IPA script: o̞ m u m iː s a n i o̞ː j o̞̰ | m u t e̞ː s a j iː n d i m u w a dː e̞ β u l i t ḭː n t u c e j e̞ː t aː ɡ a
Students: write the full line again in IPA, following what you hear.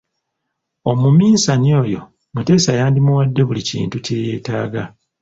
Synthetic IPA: o̞ m u m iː s a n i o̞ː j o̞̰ | m u t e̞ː s a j aː n d i m u w a dː e̞ β u l i c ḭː n t u c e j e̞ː t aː ɡ a